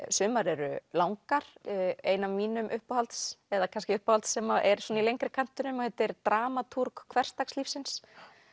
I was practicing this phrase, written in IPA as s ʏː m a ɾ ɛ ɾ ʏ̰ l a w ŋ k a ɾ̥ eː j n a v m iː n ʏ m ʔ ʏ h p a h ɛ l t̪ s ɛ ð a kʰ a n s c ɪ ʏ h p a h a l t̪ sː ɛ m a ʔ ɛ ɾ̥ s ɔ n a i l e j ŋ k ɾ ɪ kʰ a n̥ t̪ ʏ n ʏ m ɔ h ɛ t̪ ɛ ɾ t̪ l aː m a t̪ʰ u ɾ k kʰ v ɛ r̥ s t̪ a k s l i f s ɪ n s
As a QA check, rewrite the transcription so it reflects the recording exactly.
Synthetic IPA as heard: s ʏː m a ɾ ɛ ɾ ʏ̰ l a w ŋ k a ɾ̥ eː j n a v m iː n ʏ m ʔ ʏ h p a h a l t̪ s ɛ ð a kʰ a n s c ɪ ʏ h p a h a l t̪ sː ɛ m a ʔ ɛ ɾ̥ s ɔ n a i l e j ŋ k ɾ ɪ kʰ a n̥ t̪ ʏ n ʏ m ɔ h ɛ t̪ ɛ ɾ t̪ ɾ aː m a t̪ʰ u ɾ k kʰ v ɛ r̥ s t̪ a k s l i f s ɪ n s